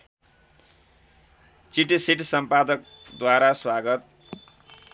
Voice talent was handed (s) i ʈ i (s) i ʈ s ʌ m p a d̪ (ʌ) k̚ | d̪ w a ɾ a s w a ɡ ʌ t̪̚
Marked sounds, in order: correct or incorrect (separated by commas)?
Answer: incorrect, correct, correct